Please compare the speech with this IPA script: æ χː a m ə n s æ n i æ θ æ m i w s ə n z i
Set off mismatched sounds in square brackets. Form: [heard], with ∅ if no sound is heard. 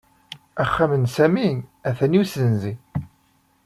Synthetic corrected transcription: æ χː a m ə n s æ [m] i æ θ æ [n] i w s ə n z i

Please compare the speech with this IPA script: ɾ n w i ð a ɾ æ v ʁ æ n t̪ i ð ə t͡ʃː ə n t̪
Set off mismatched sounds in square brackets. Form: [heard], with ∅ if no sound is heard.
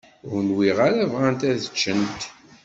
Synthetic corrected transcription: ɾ n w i [ʁ] a ɾ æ v ʁ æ n t̪ [æ] ð ə t͡ʃː ə n t̪

